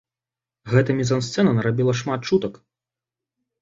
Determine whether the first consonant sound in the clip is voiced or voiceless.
voiced